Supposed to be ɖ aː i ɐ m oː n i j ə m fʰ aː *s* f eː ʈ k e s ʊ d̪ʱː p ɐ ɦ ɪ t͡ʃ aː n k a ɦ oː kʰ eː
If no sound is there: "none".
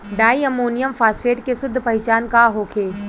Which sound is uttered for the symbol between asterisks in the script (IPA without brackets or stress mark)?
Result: s